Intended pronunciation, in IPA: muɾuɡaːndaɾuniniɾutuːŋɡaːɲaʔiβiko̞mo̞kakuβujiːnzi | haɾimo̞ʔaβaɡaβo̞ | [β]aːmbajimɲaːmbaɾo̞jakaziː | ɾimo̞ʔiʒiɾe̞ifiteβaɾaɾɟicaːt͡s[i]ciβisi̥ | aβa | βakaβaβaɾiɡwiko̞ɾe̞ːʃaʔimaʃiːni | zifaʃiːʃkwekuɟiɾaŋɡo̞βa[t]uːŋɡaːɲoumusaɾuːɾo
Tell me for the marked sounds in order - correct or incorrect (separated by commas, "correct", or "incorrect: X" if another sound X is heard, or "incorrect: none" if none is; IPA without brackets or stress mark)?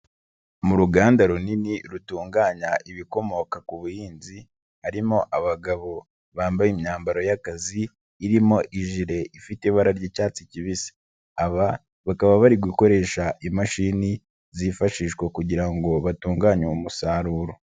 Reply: correct, correct, correct